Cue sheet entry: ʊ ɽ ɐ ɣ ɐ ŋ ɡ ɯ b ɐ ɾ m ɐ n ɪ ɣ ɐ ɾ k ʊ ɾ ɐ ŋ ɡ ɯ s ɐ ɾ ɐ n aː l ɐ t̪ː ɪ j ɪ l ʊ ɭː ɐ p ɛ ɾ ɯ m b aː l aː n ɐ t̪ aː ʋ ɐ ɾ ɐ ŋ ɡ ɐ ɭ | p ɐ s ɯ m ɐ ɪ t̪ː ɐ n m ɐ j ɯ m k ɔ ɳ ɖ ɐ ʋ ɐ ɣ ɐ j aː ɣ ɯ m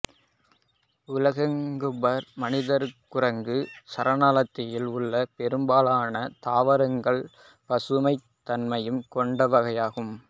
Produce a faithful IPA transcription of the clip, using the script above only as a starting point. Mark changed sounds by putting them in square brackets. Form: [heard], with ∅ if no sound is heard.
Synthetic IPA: ʊ [l] ɐ ɣ ɐ ŋ ɡ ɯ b ɐ ɾ m ɐ n ɪ [ð] ɐ ɾ k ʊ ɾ ɐ ŋ ɡ ɯ s ɐ ɾ ɐ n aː l ɐ t̪ː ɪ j ɪ l ʊ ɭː ɐ p ɛ ɾ ɯ m b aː l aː n ɐ t̪ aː ʋ ɐ ɾ ɐ ŋ ɡ ɐ ɭ | p ɐ s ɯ m ɐ ɪ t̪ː ɐ n m ɐ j ɯ m k ɔ ɳ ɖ ɐ ʋ ɐ ɣ ɐ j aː ɣ ɯ m